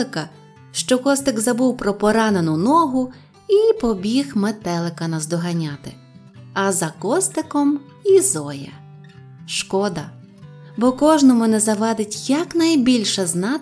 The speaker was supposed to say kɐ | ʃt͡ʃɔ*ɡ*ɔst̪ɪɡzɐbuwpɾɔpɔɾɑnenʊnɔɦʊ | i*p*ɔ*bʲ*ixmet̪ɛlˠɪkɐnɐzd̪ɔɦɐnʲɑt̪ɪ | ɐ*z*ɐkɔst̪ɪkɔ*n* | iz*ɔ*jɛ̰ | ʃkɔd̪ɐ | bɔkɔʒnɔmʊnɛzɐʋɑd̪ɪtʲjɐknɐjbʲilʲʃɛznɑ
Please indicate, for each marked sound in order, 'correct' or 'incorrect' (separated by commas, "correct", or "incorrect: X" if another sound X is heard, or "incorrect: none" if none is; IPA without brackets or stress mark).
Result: incorrect: k, correct, correct, correct, incorrect: m, correct